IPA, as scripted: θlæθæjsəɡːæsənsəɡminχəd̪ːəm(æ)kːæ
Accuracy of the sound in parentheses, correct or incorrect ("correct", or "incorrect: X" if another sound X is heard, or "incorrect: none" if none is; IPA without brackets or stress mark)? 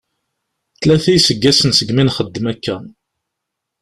correct